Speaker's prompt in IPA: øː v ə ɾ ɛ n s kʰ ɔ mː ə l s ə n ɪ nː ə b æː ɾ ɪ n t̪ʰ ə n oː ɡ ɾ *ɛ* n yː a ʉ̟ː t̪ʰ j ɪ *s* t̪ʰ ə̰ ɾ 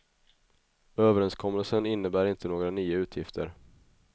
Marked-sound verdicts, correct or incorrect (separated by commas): incorrect, incorrect